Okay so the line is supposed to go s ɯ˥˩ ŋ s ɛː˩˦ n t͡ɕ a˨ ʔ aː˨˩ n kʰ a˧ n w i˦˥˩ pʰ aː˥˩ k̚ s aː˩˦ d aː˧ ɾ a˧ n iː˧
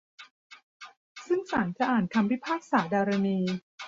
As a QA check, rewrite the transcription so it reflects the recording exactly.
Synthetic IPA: s ɯ˥˩ ŋ s aː˩˦ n t͡ɕ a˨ ʔ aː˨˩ n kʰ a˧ m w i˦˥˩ pʰ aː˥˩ k̚ s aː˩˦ d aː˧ ɾ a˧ n iː˧